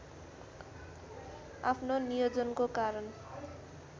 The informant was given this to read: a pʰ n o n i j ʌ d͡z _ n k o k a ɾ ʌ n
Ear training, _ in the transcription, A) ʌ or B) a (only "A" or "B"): A